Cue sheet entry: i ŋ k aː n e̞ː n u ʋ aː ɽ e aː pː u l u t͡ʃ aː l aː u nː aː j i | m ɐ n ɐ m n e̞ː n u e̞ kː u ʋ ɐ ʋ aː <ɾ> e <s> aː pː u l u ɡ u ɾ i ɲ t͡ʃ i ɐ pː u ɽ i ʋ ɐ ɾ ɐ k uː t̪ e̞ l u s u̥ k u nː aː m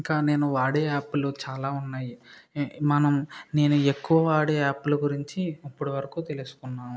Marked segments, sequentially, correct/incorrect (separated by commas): incorrect, incorrect